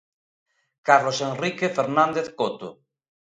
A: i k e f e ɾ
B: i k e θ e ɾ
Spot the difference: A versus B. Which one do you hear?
A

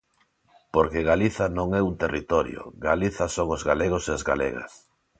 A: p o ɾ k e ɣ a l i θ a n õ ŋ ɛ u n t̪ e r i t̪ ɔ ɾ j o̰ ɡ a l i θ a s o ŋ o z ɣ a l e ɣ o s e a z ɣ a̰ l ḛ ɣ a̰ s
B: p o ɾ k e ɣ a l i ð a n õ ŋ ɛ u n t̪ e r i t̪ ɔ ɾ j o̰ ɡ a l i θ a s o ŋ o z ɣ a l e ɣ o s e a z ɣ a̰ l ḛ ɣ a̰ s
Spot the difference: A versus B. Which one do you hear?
A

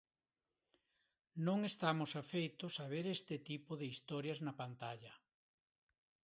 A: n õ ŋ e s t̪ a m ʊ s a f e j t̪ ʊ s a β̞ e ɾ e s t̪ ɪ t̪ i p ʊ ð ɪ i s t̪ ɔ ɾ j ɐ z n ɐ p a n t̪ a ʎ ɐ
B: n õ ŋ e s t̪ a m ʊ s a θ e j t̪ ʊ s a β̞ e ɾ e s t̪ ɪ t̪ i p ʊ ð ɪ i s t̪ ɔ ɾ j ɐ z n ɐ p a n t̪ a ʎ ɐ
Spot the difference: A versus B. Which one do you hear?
A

